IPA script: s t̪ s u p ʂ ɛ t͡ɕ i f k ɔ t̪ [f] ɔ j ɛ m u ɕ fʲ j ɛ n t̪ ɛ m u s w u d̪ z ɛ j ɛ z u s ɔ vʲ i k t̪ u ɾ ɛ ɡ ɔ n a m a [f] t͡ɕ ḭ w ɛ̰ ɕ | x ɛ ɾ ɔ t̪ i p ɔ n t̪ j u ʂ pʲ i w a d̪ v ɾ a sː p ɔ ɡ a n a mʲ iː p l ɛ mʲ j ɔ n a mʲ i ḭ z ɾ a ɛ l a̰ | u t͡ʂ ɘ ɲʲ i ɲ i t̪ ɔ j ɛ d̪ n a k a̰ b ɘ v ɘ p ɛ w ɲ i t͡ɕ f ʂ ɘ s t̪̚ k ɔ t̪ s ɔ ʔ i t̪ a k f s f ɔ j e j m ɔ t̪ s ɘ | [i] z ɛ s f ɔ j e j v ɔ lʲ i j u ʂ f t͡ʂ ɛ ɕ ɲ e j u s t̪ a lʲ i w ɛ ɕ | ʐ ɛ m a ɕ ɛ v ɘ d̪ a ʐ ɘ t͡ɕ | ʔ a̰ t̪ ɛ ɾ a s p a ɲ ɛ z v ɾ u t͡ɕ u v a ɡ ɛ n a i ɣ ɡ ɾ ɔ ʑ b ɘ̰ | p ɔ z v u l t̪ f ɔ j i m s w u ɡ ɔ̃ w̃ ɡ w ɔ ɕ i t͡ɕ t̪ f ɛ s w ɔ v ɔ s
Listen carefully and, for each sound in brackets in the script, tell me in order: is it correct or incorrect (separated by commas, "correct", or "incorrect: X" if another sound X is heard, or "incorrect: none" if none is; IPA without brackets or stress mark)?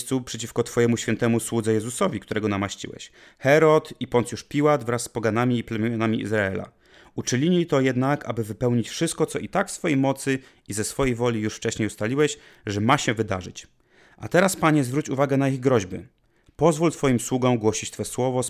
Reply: correct, incorrect: ɕ, correct